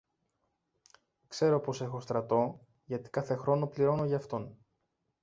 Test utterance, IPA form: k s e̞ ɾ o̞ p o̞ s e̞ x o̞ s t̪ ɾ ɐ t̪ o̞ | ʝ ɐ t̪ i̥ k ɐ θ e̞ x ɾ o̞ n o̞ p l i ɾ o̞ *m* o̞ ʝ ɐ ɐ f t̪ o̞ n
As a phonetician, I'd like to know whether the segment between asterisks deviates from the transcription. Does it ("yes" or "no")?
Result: yes